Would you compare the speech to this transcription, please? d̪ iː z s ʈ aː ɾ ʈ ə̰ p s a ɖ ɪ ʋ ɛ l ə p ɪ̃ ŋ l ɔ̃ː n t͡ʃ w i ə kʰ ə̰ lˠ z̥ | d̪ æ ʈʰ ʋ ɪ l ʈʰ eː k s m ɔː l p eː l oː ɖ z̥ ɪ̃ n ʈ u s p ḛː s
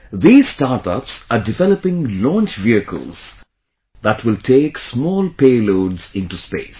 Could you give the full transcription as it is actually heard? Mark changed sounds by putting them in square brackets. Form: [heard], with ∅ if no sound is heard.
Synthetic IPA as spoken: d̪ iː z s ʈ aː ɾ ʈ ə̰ p s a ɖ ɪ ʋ ɛ l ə p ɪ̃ ŋ l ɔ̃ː n t͡ʃ [ʋ] i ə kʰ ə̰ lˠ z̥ | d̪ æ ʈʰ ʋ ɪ l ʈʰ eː k s m ɔː l p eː l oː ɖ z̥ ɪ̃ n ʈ u s p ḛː s